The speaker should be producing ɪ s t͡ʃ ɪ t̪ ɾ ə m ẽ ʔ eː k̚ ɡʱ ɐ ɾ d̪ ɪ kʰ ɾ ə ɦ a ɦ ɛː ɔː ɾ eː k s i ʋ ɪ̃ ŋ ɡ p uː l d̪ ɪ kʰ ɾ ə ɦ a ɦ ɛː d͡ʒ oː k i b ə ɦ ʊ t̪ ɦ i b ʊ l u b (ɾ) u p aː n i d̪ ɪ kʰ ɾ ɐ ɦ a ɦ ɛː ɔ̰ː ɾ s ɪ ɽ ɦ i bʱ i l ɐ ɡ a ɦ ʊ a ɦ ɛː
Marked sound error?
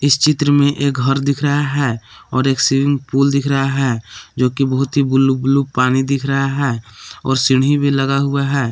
yes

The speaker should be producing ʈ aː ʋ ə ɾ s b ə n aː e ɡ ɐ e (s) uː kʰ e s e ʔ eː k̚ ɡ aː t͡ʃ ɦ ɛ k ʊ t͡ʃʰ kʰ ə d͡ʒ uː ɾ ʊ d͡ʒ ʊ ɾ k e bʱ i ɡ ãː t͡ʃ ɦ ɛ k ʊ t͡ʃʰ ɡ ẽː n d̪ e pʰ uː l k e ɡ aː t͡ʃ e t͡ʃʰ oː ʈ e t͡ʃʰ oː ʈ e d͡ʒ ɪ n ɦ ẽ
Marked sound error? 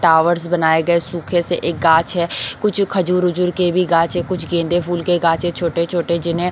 no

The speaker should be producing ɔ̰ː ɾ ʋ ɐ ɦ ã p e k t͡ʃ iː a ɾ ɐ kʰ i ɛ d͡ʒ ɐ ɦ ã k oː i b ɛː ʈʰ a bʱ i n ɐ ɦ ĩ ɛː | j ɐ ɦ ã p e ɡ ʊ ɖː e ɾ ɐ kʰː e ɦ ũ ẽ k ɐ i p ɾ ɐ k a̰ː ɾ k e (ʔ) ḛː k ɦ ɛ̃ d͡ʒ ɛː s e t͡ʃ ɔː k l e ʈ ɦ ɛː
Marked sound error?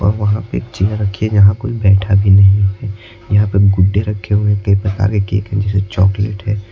yes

